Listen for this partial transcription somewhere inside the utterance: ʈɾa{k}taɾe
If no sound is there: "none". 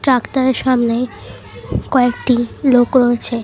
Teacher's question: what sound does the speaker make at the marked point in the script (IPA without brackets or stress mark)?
k